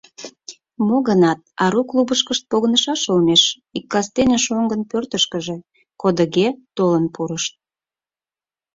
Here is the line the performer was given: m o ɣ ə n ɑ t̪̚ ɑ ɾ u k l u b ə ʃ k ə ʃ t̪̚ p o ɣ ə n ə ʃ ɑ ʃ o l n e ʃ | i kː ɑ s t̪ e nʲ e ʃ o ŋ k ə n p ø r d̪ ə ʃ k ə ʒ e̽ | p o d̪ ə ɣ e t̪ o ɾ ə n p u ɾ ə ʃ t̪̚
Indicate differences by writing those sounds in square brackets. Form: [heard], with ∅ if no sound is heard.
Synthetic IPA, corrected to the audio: m o ɣ ə n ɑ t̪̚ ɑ ɾ u k l u b ə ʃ k ə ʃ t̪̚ p o ɣ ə n ə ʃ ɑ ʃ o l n e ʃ | i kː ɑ s t̪ e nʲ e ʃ o ŋ [ɡ] ə n p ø r [t̪] ə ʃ k ə ʒ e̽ | [k] o d̪ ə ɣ e t̪ o [l] ə n p u ɾ ə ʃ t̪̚